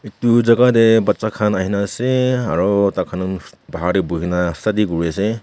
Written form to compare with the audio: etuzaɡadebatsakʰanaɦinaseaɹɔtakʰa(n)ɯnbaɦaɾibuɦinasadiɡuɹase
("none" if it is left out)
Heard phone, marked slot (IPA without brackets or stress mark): n